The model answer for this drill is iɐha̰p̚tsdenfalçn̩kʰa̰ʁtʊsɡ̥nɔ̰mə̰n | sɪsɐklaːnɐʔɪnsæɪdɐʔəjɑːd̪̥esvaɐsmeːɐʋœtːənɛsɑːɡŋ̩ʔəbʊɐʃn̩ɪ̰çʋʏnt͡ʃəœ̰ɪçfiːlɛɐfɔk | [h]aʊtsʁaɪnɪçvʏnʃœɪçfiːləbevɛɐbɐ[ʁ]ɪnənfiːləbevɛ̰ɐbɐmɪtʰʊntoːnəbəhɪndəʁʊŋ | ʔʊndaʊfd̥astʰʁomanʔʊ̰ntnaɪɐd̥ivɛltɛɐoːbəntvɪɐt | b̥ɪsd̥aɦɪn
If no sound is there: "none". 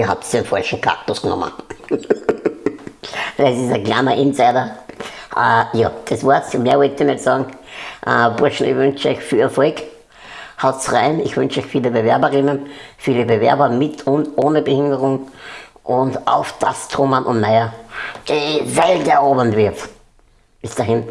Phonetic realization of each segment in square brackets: h, ʁ

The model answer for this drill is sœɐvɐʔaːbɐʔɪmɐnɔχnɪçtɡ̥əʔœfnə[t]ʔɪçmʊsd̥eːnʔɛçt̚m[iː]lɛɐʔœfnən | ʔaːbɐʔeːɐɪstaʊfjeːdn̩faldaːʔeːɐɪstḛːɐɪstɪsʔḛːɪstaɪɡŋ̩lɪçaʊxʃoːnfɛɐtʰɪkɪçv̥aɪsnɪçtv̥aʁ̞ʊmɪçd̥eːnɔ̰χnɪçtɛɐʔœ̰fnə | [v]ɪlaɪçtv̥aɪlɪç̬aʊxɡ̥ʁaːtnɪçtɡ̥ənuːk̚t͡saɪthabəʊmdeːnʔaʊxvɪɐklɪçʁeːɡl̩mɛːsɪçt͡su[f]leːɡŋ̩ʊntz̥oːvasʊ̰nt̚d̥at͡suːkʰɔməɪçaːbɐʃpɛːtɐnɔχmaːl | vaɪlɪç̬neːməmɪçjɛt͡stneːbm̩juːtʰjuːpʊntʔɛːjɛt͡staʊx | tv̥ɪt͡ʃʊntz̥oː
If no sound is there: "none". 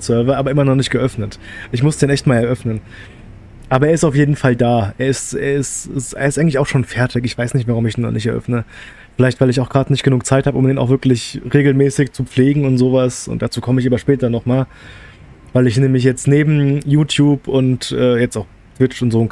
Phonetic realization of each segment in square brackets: t, aː, f, p͡f

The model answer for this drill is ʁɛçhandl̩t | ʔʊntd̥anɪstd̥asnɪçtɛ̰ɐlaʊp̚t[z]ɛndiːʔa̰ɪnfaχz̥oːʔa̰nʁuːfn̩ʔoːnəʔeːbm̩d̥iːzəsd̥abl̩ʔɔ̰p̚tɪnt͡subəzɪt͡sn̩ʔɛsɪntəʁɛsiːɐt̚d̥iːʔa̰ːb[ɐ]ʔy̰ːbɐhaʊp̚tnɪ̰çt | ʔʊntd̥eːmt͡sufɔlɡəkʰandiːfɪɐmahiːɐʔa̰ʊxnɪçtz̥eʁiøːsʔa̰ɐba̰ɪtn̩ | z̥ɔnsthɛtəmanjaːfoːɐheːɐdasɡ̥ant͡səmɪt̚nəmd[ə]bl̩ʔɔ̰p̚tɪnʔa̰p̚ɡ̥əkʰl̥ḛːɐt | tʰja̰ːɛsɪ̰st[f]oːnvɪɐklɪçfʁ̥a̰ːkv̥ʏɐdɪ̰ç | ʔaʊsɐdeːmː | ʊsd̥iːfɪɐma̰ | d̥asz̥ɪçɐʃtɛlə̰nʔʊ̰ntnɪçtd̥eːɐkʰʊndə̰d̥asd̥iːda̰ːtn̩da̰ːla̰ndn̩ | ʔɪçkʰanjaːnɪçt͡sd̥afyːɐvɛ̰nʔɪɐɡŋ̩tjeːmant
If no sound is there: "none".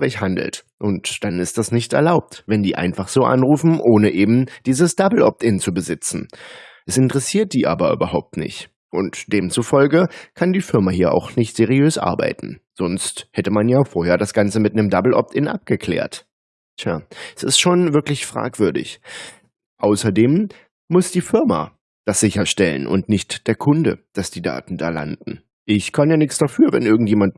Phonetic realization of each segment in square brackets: v, ɐ, a, ʃ

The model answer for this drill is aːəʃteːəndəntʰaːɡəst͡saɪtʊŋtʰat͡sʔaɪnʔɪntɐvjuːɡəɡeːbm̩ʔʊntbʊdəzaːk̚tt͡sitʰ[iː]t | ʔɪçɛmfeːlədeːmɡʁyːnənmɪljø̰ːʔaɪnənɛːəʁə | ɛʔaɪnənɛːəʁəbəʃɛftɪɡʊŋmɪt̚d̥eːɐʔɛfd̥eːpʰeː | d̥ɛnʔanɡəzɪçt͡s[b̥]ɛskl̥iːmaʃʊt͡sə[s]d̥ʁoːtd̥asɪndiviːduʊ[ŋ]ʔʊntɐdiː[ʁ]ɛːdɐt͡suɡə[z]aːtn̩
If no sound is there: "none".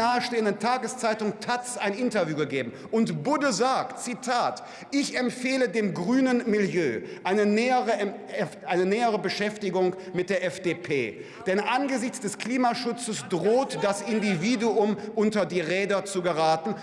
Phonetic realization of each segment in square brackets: aː, d̥, s, m, ʁ, ʁ

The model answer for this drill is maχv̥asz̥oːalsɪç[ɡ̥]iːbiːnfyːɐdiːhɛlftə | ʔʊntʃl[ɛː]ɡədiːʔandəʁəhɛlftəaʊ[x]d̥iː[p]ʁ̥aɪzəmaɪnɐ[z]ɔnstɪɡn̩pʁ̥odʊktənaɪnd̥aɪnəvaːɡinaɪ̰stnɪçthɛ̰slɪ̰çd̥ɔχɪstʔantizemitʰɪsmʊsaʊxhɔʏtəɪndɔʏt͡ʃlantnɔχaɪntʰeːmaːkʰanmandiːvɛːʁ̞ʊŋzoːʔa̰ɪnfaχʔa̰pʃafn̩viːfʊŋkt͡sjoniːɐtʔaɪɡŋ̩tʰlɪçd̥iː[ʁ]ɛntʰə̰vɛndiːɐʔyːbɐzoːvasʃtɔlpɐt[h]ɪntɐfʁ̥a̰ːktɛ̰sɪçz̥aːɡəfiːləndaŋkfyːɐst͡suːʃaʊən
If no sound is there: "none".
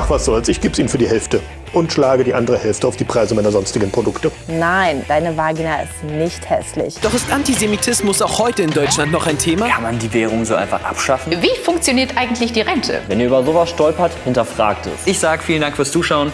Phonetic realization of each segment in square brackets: ɡ̥, aː, f, p, z, ʁ, h

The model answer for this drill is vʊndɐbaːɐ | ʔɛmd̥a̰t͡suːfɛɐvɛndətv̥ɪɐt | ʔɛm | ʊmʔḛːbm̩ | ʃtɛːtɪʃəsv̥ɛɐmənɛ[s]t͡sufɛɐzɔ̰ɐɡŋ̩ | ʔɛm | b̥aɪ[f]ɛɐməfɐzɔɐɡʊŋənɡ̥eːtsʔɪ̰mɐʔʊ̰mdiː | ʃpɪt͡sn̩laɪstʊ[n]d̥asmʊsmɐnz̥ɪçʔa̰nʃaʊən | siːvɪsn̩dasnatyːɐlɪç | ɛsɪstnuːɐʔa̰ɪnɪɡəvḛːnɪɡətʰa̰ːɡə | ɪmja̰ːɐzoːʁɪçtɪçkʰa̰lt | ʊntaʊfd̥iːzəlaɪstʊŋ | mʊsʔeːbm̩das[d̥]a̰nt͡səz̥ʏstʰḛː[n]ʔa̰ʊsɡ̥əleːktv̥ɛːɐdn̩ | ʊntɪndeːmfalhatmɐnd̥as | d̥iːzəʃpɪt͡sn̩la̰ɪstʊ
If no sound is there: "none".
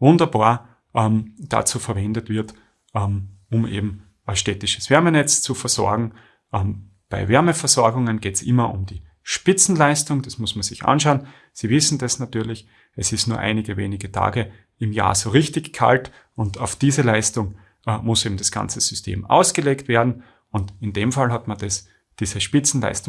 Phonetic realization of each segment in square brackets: t͡s, v, ŋ, ɡ̥, m

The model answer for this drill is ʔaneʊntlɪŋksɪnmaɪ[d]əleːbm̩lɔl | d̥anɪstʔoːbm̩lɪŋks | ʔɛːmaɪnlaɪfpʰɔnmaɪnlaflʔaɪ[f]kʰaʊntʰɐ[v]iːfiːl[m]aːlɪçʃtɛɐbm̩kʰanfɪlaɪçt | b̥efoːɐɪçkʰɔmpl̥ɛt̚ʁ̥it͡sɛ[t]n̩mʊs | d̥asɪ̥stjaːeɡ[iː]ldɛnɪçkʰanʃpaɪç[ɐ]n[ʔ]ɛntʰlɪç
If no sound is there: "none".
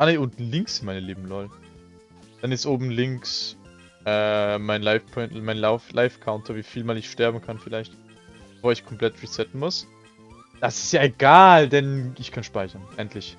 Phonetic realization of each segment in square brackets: n, f, v, m, t, aː, ɐ, ʔ

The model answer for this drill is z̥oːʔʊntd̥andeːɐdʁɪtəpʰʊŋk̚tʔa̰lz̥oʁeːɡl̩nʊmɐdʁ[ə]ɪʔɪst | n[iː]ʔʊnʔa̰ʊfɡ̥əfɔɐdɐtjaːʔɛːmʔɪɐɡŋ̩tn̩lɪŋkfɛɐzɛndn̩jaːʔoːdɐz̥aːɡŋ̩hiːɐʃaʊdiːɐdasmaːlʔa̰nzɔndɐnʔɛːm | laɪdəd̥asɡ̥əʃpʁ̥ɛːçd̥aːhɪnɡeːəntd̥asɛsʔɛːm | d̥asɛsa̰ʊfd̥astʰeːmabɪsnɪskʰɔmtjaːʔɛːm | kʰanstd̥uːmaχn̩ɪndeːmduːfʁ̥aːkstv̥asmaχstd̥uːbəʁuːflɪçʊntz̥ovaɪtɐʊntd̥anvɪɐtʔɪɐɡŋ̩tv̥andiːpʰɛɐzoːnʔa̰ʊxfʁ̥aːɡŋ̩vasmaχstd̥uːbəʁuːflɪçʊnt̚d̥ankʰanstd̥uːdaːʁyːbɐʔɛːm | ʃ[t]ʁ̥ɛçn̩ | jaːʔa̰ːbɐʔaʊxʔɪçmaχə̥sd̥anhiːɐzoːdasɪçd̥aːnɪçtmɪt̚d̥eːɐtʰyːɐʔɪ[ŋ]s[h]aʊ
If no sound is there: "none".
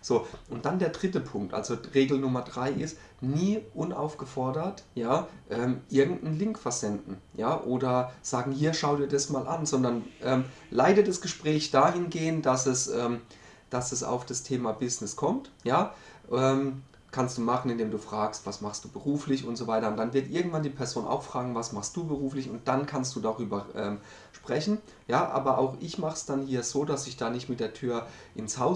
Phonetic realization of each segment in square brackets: a, iː, p, n, h

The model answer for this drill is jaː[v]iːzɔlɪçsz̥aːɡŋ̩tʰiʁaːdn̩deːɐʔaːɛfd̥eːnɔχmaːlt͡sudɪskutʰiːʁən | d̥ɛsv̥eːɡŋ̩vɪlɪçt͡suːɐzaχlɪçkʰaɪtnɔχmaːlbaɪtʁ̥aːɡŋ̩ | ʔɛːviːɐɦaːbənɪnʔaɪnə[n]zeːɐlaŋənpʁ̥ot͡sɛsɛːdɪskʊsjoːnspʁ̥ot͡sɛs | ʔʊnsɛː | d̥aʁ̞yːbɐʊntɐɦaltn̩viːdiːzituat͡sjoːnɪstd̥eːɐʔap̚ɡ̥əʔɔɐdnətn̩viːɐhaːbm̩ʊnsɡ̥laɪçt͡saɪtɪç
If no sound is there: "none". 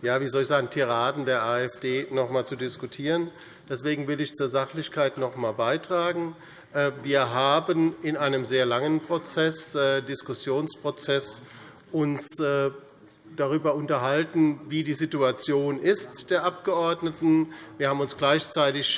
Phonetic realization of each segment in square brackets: v, m

